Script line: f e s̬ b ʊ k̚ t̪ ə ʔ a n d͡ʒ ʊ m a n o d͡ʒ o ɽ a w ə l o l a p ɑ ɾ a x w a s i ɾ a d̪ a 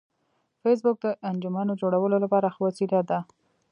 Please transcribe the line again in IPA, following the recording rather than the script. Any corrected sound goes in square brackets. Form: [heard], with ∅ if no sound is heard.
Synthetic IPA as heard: f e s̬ b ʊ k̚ [d̪] ə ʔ a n d͡ʒ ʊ m a n o d͡ʒ o ɽ a w ə l o l a p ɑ ɾ a x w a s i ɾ a d̪ a